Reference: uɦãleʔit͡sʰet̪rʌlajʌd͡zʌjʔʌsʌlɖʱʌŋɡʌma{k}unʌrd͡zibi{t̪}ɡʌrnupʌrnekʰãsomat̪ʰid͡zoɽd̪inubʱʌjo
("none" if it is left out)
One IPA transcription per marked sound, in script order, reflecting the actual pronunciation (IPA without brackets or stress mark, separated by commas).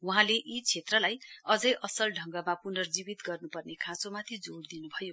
p, t̪